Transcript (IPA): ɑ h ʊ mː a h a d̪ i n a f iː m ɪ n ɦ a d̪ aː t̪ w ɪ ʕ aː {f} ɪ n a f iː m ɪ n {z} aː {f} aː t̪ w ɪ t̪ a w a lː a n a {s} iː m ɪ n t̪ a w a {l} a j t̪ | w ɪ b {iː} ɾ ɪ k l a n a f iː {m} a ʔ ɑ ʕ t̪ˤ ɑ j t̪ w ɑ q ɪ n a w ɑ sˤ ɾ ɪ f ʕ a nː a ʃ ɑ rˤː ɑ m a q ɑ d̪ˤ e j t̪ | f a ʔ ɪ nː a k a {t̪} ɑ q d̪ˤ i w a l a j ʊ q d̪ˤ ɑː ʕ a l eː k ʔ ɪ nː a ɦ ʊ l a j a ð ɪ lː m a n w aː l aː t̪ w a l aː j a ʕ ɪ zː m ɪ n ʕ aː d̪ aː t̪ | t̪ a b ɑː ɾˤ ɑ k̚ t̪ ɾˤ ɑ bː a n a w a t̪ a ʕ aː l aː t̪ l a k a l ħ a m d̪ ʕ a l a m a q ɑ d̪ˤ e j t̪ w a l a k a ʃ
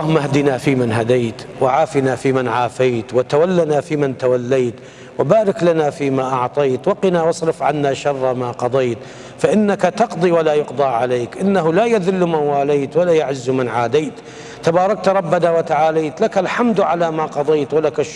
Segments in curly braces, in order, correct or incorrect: correct, incorrect: ʕ, correct, incorrect: f, incorrect: lː, incorrect: aː, correct, correct

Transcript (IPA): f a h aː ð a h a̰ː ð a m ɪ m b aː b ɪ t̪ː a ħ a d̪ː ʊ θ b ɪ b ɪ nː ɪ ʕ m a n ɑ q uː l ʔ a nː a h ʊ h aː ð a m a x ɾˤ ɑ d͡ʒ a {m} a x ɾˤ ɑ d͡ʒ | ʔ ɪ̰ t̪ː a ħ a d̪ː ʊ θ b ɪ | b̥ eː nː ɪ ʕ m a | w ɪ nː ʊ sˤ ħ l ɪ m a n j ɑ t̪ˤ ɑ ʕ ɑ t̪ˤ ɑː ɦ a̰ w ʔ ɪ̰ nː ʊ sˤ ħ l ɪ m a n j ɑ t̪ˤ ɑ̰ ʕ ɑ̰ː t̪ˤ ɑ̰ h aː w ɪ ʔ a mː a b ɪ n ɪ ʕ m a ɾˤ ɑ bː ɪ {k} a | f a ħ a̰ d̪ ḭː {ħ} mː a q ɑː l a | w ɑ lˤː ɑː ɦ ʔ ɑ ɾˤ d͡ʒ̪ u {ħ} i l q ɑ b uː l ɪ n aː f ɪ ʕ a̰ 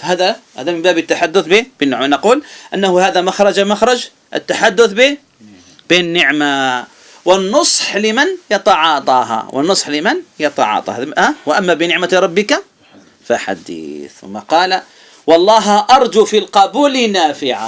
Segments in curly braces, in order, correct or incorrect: correct, correct, incorrect: θ, incorrect: f

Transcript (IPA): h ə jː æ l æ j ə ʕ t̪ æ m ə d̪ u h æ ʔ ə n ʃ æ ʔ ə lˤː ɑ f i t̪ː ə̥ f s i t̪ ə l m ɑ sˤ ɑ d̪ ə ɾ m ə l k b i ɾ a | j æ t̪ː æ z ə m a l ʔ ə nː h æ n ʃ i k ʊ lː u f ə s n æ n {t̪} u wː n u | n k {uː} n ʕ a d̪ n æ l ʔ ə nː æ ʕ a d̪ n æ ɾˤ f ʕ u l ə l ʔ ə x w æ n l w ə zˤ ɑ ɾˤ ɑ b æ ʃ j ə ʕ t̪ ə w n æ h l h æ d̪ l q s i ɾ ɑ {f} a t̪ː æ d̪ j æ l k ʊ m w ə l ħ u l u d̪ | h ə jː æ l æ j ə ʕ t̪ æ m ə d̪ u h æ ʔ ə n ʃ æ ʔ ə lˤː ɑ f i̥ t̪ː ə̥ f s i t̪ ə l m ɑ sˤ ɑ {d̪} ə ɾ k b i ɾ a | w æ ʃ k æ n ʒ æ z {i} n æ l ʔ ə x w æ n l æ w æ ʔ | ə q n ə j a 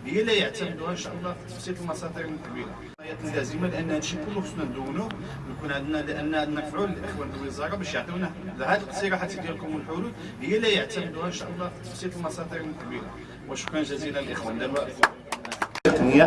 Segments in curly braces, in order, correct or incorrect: incorrect: d̪, incorrect: u, incorrect: ħ, correct, correct

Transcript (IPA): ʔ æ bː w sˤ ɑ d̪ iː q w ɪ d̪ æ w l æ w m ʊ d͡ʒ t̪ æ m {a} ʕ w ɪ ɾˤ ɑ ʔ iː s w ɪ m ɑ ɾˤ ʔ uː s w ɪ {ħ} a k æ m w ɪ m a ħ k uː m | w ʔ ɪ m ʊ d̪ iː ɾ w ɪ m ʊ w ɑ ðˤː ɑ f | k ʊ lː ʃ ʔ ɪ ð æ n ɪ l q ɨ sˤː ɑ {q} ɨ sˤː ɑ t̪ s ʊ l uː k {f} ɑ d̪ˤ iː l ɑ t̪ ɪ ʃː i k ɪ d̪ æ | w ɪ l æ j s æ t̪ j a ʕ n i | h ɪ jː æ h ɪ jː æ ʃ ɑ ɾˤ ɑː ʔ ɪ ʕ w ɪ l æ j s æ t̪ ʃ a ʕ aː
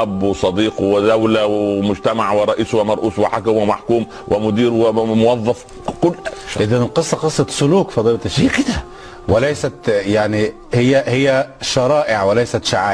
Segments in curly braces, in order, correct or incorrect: correct, correct, correct, correct

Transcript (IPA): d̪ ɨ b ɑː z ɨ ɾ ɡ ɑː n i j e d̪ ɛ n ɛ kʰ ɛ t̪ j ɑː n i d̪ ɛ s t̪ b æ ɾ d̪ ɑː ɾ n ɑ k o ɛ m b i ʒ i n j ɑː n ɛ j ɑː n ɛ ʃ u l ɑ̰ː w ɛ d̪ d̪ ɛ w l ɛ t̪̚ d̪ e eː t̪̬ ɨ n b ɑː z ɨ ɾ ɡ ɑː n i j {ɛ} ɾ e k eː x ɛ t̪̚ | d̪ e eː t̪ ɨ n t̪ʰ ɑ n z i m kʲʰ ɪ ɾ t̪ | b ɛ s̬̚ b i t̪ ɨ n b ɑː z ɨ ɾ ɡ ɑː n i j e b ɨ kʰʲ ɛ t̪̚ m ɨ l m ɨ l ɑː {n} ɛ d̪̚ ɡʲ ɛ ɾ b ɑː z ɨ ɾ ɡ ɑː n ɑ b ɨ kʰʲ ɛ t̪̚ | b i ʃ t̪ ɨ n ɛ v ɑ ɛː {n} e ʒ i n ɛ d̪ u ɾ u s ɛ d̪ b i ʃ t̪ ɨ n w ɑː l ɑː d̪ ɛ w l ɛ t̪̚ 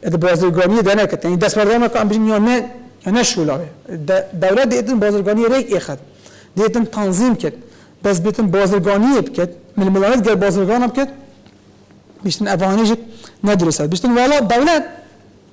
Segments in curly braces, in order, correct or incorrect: incorrect: e, correct, correct

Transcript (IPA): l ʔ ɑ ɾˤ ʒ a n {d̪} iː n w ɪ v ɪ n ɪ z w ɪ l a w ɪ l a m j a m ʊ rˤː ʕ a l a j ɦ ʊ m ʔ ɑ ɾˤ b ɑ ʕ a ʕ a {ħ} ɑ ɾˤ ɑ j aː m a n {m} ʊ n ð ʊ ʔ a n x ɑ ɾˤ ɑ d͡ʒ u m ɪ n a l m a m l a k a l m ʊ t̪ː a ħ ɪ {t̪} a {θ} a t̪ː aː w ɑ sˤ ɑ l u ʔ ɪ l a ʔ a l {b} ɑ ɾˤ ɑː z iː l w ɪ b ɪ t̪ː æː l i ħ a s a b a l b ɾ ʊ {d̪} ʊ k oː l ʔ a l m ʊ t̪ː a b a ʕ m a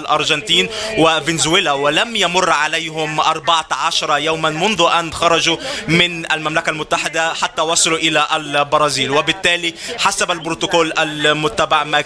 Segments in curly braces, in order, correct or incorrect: incorrect: t̪, incorrect: ʃ, correct, incorrect: d̪, incorrect: ħ, correct, incorrect: t̪

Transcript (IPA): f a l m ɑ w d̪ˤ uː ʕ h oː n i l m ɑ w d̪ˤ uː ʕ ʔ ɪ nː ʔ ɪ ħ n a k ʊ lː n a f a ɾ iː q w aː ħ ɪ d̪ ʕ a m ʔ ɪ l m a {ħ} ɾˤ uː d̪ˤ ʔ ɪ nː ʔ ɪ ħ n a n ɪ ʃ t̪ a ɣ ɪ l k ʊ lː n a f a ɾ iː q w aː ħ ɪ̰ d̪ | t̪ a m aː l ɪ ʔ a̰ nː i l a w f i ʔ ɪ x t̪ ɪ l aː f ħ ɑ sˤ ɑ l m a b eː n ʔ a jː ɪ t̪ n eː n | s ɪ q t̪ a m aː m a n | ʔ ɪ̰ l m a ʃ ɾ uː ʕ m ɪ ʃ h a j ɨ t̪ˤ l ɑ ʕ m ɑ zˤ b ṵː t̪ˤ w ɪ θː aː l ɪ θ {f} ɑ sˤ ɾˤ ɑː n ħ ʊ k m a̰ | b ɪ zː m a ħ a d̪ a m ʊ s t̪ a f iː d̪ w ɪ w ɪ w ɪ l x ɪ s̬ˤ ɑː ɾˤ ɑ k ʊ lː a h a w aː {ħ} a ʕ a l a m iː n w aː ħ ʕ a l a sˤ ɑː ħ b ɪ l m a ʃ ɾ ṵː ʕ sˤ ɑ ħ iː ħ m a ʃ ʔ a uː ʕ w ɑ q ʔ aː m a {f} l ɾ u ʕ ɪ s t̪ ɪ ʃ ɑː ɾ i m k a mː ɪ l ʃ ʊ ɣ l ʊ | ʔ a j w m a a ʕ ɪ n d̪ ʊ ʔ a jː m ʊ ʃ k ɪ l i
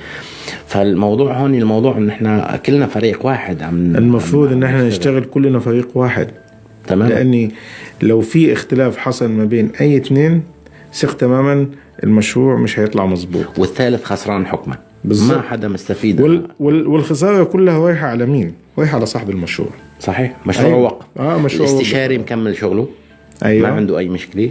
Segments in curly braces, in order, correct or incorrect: incorrect: f, incorrect: x, correct, incorrect: ʃ

